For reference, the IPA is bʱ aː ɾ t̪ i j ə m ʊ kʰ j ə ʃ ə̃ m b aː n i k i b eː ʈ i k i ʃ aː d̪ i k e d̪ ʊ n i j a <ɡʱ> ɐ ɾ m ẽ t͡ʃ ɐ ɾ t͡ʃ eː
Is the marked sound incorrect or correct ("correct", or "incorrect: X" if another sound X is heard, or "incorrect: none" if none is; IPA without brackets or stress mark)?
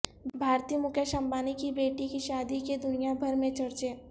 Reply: incorrect: bʱ